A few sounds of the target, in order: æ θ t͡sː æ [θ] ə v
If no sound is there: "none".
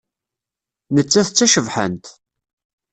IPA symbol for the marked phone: ʃ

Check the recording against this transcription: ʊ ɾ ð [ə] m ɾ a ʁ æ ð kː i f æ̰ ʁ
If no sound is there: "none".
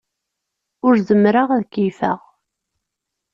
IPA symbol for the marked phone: ə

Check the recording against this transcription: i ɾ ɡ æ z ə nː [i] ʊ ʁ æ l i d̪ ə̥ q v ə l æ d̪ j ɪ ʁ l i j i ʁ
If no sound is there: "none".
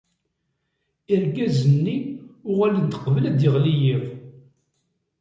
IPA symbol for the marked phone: i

